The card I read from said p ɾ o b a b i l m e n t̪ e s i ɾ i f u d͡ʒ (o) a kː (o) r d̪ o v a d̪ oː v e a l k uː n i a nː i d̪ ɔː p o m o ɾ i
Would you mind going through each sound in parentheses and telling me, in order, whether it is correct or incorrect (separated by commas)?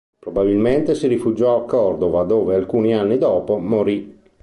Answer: incorrect, incorrect